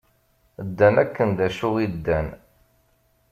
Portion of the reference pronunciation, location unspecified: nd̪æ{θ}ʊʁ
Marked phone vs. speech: incorrect: ʃ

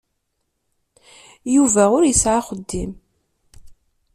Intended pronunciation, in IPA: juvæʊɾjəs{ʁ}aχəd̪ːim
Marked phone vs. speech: incorrect: ʕ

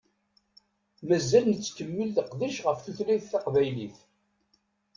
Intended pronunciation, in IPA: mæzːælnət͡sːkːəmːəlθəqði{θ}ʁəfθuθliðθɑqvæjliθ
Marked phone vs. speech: incorrect: ʃ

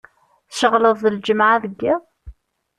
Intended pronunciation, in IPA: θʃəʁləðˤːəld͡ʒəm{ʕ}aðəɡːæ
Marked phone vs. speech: correct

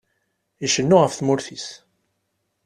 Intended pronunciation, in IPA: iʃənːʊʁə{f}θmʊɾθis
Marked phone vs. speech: correct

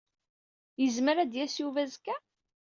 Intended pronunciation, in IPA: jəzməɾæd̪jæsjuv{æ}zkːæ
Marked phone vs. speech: correct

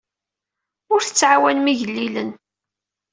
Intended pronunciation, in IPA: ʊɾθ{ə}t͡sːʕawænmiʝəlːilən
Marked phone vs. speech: correct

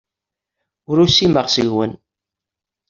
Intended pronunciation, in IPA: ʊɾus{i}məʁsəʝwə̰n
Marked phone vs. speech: correct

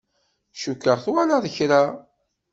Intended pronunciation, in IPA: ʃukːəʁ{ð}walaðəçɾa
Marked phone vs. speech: incorrect: θ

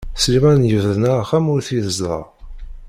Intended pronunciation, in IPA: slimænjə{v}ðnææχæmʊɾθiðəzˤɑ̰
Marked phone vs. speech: correct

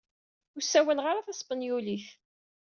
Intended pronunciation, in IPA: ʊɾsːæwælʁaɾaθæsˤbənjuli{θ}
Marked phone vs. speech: correct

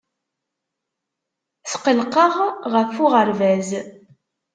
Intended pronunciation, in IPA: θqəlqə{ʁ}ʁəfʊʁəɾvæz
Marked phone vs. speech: correct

